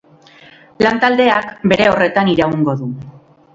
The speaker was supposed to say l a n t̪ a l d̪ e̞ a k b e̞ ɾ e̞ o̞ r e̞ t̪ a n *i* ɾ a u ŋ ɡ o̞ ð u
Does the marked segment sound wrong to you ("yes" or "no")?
no